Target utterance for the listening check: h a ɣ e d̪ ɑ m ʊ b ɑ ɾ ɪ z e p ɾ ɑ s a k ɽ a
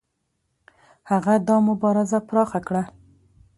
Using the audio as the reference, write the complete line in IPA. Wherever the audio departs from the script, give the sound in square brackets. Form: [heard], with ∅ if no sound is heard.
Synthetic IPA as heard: h a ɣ [a] d̪ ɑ m ʊ b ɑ ɾ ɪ z [a] p ɾ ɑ [x] a k ɽ a